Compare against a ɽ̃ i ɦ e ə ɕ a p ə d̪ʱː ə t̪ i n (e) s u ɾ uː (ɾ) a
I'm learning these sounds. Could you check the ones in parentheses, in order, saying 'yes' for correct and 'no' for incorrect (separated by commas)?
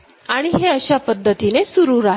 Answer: yes, yes